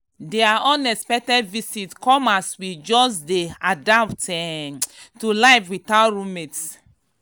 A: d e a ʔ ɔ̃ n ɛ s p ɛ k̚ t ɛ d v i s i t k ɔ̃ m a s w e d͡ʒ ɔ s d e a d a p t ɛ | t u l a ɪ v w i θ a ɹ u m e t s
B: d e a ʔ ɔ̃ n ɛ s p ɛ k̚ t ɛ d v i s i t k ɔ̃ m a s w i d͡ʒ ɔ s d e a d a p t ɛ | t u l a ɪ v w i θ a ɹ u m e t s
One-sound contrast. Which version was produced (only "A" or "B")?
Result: B